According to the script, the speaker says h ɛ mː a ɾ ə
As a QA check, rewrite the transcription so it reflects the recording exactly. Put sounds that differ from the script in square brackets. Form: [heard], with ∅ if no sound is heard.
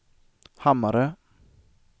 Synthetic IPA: h [a] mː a ɾ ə

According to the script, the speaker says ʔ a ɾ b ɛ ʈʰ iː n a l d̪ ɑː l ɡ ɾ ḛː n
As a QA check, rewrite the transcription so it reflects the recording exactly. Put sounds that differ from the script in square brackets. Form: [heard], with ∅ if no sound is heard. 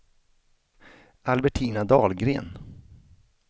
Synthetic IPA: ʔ a [l] b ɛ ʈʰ iː n a [∅] d̪ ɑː l ɡ ɾ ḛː n

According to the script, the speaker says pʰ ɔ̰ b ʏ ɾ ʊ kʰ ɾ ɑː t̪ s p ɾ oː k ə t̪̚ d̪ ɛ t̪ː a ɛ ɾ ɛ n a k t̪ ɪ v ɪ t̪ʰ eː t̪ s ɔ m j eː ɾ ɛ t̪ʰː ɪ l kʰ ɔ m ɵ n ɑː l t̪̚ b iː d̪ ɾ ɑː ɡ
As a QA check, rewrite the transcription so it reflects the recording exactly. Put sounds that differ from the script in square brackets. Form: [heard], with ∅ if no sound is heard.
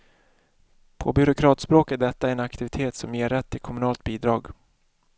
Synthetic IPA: pʰ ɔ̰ b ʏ ɾ ʊ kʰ ɾ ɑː t̪ s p ɾ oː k ə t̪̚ d̪ ɛ t̪ː a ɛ ɾ ɛ n a k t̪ ɪ v ɪ t̪ʰ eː t̪ s ɔ m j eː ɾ ɛ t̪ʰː ɪ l kʰ ɔ m ɵ n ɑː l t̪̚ b iː d̪ ɾ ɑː ɡ

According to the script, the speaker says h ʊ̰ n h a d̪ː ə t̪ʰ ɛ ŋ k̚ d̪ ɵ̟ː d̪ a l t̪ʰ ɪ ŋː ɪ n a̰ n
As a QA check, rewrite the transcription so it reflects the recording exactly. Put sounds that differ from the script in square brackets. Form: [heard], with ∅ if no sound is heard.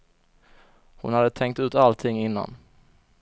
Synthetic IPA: h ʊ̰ n h a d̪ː ə t̪ʰ ɛ ŋ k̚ [t̪] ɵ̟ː [t̪] a l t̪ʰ ɪ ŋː ɪ [nː] a̰ n

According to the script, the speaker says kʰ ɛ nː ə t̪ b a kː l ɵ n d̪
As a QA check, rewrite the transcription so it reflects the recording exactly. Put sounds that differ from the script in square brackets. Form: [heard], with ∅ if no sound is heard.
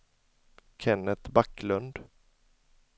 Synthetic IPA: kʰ ɛ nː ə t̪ b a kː l ɵ n d̪

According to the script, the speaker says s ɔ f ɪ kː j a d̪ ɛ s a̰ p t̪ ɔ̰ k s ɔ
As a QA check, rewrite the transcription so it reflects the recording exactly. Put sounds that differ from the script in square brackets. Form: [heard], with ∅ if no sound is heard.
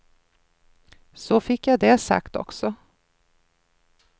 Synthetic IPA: s ɔ f ɪ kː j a d̪ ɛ s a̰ [k] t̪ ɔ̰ k s ɔ

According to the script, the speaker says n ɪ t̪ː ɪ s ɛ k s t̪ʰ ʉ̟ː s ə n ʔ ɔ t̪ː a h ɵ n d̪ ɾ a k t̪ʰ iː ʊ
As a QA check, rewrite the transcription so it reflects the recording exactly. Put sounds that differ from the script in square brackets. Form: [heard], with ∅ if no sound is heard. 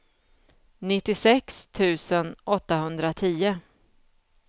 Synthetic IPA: n ɪ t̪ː ɪ s ɛ k s t̪ʰ ʉ̟ː s ə n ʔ ɔ t̪ː a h ɵ n d̪ ɾ a [∅] t̪ʰ iː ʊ

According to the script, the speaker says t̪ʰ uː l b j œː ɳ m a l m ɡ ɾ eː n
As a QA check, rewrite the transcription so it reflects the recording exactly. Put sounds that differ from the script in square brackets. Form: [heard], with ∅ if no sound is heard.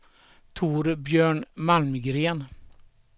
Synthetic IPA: t̪ʰ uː [ɾ] b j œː ɳ m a l m ɡ ɾ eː n

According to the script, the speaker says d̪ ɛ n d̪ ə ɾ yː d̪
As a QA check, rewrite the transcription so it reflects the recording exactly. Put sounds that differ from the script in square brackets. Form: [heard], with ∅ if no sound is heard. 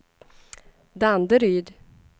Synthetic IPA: d̪ [a] n d̪ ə ɾ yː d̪

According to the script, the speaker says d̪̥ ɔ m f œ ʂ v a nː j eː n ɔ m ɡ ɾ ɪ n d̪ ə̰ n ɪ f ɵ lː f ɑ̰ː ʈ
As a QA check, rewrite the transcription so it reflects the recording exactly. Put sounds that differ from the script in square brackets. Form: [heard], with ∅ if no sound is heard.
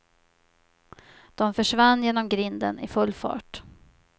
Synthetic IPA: d̪̥ ɔ m f œ ʂ v a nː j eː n ɔ m ɡ ɾ ɪ n d̪ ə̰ n ɪ f ɵ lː f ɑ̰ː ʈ

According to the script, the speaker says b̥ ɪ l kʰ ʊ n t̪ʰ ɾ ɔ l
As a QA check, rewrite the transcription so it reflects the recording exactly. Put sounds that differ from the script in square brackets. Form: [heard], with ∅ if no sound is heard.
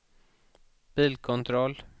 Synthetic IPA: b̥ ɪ l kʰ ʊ n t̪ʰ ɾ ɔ l

